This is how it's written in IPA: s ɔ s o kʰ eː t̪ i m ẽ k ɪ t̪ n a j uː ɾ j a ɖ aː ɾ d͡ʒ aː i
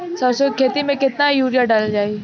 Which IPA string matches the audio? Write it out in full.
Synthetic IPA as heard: s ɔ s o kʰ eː t̪ i m ẽ k ɪ t̪ n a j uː ɾ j a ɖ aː l d͡ʒ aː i